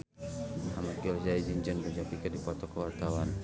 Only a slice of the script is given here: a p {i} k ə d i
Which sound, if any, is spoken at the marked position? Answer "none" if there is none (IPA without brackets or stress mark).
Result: i